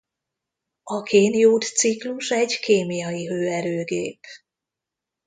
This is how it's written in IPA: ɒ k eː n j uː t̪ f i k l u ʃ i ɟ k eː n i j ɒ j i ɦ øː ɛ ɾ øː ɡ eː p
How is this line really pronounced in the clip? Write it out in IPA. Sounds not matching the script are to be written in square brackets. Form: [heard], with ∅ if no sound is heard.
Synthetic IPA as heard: ɒ k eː n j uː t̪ [s] i k l u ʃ [ɛ] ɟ k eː [m] i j ɒ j i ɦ øː ɛ ɾ øː ɡ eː p